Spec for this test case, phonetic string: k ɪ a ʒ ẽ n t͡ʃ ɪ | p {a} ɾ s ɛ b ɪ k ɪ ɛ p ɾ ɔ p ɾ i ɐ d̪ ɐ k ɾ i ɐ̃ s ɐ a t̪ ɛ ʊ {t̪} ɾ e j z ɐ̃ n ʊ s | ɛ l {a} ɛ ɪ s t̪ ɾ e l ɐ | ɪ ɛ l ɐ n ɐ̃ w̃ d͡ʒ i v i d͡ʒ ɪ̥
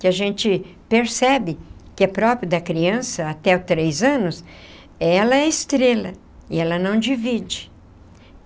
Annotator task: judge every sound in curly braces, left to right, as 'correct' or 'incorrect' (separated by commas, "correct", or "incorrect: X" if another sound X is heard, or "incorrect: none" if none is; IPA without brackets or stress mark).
incorrect: e, correct, incorrect: ɐ